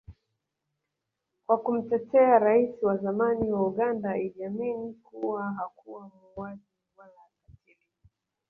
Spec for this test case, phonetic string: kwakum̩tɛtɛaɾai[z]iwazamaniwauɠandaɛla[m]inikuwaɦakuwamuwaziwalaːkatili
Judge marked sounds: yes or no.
no, yes

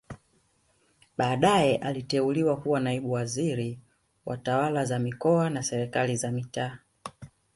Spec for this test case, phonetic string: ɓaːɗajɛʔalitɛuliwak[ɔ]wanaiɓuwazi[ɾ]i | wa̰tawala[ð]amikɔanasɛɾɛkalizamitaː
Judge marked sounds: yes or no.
no, yes, no

